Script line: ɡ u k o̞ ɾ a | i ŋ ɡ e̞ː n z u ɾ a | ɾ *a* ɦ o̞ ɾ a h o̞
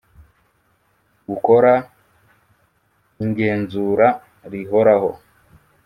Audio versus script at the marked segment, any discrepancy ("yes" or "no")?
yes